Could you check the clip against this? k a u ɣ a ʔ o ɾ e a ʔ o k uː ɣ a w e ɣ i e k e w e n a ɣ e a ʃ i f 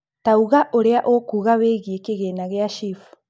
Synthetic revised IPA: t a u ɣ a ʔ o ɾ e a ʔ o k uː ɣ a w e ɣ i e k e ɣ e n a ɣ e a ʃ i f